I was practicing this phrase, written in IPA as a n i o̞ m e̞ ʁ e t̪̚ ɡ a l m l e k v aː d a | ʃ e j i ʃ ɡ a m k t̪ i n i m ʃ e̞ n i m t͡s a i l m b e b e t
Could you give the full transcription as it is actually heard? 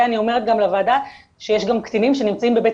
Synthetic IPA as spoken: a n i o̞ m e̞ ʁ e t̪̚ ɡ a m l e v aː d a | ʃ e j e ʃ ɡ a m k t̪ i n i m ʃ e̞ n i m t͡s a i m b e b e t